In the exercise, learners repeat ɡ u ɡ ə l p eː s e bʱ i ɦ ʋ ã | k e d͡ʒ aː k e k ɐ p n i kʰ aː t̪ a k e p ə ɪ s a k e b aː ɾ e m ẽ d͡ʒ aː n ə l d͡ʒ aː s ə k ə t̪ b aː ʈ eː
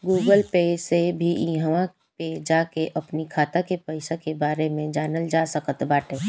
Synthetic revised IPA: ɡ uː ɡ ə l p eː s e bʱ i ɦ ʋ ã | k e d͡ʒ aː k e ʔ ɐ p n i kʰ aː t̪ a k e p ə ɪ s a k e b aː ɾ e m ẽ d͡ʒ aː n ə l d͡ʒ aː s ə k ə t̪ b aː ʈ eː